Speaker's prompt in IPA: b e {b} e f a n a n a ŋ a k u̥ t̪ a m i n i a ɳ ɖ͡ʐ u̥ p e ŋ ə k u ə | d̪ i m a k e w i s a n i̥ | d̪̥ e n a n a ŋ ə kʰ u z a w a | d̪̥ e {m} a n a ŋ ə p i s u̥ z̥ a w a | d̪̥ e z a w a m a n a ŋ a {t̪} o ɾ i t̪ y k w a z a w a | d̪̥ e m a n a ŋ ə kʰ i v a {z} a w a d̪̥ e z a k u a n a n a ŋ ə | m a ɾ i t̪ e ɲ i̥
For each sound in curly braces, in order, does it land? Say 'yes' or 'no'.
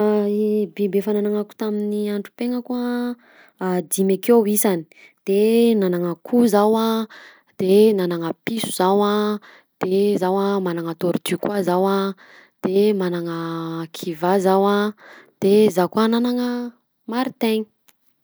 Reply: yes, no, yes, yes

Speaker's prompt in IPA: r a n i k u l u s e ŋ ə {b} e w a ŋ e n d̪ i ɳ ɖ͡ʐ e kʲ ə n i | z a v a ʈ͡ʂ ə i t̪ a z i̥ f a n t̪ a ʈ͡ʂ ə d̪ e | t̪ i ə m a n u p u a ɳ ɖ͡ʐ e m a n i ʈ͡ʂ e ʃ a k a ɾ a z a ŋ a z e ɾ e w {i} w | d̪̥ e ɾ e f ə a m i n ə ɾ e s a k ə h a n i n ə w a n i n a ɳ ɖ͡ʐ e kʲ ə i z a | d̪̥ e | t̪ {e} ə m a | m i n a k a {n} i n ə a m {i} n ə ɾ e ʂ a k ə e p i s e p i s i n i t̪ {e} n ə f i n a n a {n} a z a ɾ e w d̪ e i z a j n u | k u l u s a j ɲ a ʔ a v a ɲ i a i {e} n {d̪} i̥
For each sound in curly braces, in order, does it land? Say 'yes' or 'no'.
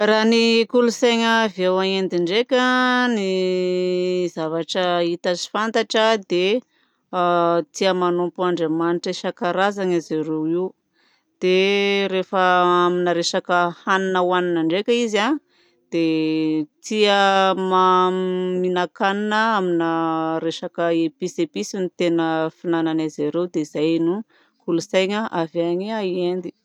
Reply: no, yes, no, yes, yes, yes, yes, yes, yes

